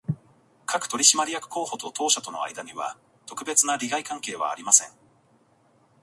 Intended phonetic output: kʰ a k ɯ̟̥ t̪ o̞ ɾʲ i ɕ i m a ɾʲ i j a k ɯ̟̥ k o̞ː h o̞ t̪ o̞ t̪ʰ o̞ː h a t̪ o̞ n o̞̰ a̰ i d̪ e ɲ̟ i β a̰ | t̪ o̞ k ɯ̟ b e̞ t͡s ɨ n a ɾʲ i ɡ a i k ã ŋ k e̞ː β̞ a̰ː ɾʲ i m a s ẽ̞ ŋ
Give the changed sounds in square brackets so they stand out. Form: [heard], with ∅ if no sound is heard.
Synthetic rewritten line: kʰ a k ɯ̟̥ t̪ o̞ ɾʲ i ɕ i m a ɾʲ i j a k ɯ̟̥ k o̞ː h o̞ t̪ o̞ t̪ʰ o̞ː [ɕ] a t̪ o̞ n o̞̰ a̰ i d̪ [a] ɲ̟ i β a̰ | t̪ o̞ k ɯ̟ b e̞ t͡s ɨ n a ɾʲ i ɡ a i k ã ŋ k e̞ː β̞ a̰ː ɾʲ i m a s ẽ̞ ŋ

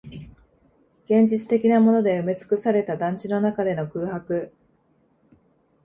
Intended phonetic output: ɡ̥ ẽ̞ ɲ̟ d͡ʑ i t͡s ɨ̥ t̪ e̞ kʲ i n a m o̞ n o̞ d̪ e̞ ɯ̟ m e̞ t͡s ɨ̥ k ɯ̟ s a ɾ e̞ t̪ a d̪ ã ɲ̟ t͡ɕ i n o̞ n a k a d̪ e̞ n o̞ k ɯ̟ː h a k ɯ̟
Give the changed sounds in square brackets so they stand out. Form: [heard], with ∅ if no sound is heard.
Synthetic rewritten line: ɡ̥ ẽ̞ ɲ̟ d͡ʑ i t͡s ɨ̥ t̪ e̞ kʲ i n a m o̞ n o̞ d̪ e̞ ɯ̟ m e̞ t͡s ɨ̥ k ɯ̟ s a ɾ e̞ t̪ a d̪ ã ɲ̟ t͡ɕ i n o̞ n a k a d̪ e̞ n o̞ k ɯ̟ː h a k ɯ̟

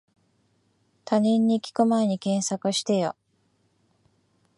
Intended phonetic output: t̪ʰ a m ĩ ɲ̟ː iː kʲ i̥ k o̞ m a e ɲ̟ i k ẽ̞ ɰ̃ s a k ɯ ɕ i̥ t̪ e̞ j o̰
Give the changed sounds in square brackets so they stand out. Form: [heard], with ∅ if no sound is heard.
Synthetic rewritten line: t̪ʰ a [ɲ] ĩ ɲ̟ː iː kʲ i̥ k o̞ m a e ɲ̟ i k ẽ̞ ɰ̃ s a k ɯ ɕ i̥ t̪ e̞ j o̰

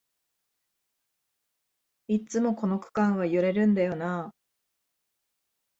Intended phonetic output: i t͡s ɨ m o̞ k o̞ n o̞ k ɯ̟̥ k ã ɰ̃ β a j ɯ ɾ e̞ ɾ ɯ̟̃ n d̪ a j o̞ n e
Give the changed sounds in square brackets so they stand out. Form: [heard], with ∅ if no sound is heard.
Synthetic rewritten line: i t͡s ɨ m o̞ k o̞ n o̞ k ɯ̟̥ k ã ɰ̃ β a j ɯ ɾ e̞ ɾ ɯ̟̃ n d̪ a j o̞ n [a]

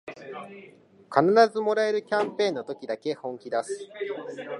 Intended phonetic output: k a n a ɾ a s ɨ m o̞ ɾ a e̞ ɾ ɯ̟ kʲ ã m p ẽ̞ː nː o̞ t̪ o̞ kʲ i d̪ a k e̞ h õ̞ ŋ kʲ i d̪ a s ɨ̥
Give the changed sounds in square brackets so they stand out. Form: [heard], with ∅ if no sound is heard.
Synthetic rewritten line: k a n a ɾ a [z] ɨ m o̞ ɾ a e̞ ɾ ɯ̟ kʲ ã m p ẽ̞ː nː o̞ t̪ o̞ kʲ i d̪ a k e̞ h õ̞ ŋ kʲ i d̪ a s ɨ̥

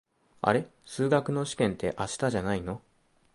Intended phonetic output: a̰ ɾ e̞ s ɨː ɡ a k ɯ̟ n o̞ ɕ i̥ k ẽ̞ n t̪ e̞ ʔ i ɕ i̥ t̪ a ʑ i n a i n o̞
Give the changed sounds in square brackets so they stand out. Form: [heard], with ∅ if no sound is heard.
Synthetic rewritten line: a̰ ɾ e̞ s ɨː ɡ a k ɯ̟ n o̞ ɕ i̥ k ẽ̞ n t̪ e̞ ʔ [a] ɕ i̥ t̪ a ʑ [a] n a i n o̞

